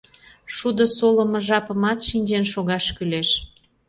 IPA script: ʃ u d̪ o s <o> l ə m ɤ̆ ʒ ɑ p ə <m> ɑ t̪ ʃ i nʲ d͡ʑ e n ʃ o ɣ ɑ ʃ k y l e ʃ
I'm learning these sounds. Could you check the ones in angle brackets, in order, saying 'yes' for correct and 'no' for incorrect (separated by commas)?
yes, yes